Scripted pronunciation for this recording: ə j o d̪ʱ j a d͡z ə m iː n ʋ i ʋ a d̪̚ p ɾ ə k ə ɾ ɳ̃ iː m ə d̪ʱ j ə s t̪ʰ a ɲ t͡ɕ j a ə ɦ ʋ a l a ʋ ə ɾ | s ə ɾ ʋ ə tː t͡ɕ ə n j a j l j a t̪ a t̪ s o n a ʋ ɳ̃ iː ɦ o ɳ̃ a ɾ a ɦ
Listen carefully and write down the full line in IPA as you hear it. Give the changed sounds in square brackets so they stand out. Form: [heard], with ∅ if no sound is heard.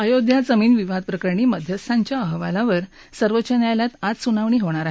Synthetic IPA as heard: ə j o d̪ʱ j a d͡z ə m iː n ʋ i ʋ a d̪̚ p ɾ ə k ə ɾ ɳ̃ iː m ə d̪ʱ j ə s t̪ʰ a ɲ t͡ɕ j a ə ɦ ʋ a l a ʋ ə ɾ | s ə ɾ ʋ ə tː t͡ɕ ə n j a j l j a t̪ a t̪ s [u] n a ʋ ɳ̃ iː ɦ o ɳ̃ a ɾ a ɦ

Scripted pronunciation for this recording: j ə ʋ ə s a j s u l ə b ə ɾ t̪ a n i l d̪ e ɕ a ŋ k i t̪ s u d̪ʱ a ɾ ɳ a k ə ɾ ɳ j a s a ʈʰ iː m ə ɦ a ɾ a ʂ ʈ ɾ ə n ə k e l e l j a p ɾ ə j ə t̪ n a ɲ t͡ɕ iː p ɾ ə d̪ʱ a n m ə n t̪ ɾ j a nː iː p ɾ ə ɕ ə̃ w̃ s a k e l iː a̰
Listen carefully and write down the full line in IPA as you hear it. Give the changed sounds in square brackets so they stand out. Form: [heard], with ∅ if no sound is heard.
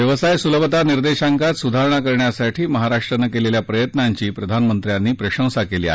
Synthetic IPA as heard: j ə ʋ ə s a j s u l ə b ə [∅] t̪ a n i [ɾ] d̪ e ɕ a ŋ k [a] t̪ s u d̪ʱ a ɾ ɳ a k ə ɾ ɳ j a s a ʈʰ iː m ə ɦ a ɾ a ʂ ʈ ɾ ə n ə k e l e l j a p ɾ ə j ə t̪ n a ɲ t͡ɕ iː p ɾ ə d̪ʱ a n m ə n t̪ ɾ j a nː iː p ɾ ə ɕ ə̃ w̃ s a k e l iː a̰

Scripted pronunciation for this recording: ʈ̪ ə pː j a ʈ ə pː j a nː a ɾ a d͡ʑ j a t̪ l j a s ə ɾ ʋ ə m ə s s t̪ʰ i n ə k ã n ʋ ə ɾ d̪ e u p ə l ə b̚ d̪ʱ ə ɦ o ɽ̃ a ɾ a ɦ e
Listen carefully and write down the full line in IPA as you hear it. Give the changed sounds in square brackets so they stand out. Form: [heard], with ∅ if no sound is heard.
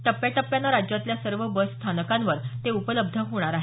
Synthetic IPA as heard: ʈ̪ ə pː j a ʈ ə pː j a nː a ɾ a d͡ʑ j a t̪ l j a s ə ɾ ʋ ə [b] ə s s t̪ʰ [a] n ə k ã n ʋ ə ɾ [t̪] e u p ə l ə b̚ d̪ʱ ə ɦ o ɽ̃ a ɾ a ɦ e

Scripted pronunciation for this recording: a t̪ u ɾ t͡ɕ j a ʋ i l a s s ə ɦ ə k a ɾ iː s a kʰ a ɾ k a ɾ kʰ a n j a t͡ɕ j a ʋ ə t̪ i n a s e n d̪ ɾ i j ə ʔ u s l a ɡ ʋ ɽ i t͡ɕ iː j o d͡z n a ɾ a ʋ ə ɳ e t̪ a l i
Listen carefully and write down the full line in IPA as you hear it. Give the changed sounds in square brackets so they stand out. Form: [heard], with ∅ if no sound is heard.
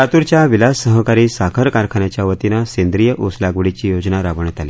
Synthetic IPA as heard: a t̪ u ɾ t͡ɕ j a ʋ i l a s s ə ɦ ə k a ɾ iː s a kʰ [ə] ɾ k a ɾ kʰ a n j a t͡ɕ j a ʋ ə t̪ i n a s e n d̪ ɾ i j ə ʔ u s l a ɡ ʋ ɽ i t͡ɕ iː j o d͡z n a ɾ a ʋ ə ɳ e t̪ a l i

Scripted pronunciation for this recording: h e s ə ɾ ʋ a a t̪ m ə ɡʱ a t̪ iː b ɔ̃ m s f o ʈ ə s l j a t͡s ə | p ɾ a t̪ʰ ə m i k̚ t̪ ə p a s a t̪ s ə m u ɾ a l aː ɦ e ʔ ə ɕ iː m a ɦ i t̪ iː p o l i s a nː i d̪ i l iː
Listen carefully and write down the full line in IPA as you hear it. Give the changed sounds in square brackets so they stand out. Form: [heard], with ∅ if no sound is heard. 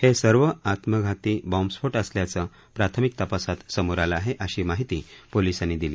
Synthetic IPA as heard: h e s ə ɾ ʋ [ə] a t̪ m ə ɡʱ a t̪ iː b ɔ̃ m s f o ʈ ə s l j a t͡s ə | p ɾ a t̪ʰ ə m i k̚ t̪ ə p a s a t̪ s ə m u ɾ a l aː ɦ e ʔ ə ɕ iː m a ɦ i t̪ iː p o l i s a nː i d̪ i l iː

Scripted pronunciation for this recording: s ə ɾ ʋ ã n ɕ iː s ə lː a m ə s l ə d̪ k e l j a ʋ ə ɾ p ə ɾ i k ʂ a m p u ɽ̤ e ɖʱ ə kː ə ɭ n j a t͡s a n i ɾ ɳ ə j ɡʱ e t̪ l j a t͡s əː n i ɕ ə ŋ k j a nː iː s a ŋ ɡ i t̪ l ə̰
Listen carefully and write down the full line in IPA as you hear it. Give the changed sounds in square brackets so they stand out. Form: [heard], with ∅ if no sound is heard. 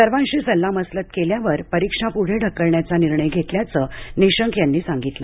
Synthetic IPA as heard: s ə ɾ ʋ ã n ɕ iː s ə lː a m ə s l ə [t̪] k e l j a ʋ ə ɾ p ə ɾ i k ʂ a [∅] p u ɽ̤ e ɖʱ ə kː ə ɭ [ɳ] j a t͡s a n i ɾ ɳ ə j ɡʱ e t̪ l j a t͡s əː n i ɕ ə ŋ k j a nː iː s a ŋ ɡ i t̪ l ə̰

